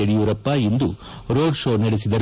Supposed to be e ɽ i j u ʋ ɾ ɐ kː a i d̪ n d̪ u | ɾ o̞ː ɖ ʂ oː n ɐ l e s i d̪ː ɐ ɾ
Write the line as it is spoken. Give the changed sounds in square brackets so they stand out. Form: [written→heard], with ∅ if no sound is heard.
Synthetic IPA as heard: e ɽ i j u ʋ ɾ ɐ [kː→pː] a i [d̪→∅] n d̪ u | ɾ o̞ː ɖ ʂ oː n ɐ [l→ɽ] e s i [d̪ː→d̪] ɐ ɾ